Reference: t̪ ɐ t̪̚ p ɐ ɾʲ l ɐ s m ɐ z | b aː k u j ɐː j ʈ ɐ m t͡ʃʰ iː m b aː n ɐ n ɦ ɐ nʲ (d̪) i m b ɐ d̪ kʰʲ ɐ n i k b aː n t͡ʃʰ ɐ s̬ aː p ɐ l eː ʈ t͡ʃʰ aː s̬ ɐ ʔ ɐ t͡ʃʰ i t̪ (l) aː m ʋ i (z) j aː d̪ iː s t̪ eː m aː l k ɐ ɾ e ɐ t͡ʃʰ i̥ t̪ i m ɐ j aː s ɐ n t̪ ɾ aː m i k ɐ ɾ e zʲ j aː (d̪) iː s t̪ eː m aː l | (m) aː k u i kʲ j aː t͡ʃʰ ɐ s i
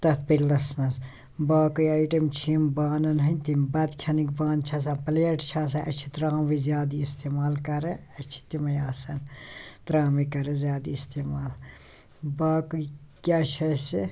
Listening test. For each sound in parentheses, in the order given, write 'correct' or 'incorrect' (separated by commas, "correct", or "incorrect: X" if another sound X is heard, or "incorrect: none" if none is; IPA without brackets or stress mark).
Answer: incorrect: t̪, incorrect: ɾ, correct, correct, incorrect: b